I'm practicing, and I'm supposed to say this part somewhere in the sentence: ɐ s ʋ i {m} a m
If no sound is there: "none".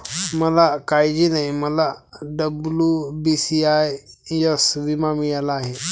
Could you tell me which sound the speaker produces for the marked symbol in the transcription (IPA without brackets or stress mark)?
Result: m